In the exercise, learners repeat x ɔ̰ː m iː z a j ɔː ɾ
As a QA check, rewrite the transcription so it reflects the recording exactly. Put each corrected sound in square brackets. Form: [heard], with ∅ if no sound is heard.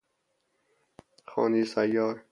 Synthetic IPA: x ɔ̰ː [n] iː [s] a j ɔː ɾ